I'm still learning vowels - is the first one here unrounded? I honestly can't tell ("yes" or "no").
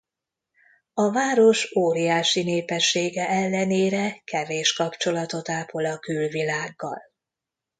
no